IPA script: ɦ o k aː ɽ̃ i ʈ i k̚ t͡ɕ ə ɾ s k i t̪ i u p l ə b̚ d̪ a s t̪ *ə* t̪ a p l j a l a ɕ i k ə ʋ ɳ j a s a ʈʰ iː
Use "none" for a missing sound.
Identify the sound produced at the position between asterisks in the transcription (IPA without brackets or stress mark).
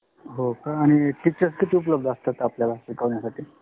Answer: a